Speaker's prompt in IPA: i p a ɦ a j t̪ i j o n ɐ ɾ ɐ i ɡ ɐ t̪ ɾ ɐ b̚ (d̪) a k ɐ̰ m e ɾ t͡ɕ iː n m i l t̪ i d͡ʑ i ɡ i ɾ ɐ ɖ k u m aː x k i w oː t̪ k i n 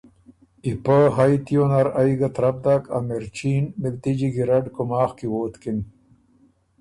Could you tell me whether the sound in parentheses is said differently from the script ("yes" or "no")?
no